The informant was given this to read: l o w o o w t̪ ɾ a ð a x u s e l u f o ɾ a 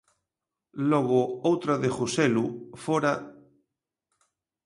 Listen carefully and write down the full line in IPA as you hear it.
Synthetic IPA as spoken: l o ɣ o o w t̪ ɾ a ð e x u s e l u f o ɾ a